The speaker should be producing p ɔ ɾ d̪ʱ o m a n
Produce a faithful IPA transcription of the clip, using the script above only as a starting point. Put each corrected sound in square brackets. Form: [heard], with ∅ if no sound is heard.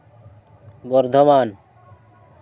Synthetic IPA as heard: [b] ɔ ɾ d̪ʱ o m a n